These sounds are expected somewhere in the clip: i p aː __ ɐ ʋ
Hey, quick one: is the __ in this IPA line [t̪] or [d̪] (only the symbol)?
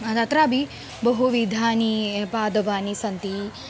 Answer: d̪